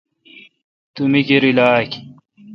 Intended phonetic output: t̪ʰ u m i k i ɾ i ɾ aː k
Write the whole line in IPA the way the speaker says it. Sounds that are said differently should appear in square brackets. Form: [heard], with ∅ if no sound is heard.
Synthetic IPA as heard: [t̪] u m i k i ɾ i [l] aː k